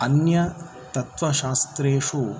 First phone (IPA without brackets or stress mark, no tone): ɐ